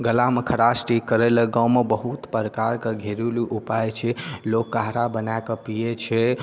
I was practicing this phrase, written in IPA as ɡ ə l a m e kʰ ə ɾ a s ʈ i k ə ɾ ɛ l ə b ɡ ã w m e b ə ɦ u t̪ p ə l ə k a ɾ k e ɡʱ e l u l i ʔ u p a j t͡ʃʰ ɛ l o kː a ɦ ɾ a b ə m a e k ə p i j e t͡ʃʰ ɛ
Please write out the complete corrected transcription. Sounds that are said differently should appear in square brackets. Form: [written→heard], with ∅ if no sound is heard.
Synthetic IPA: ɡ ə l a m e kʰ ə ɾ a s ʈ i k ə ɾ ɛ l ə [b→∅] ɡ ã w m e b ə ɦ u t̪ p ə [l→ɾ] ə k a ɾ k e ɡʱ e [l→ɾ] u l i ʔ u p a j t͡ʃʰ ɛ l o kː a ɦ ɾ a b ə [m→n] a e k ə p i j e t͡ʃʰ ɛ